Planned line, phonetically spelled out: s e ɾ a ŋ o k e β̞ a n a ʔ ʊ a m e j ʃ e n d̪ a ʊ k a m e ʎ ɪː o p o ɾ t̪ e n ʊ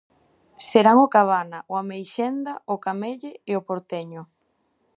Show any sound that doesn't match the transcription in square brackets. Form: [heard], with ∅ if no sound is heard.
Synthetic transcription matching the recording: s e ɾ a ŋ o k [a] β̞ a n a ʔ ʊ a m e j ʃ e n d̪ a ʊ k a m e ʎ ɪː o p o ɾ t̪ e [ɲ] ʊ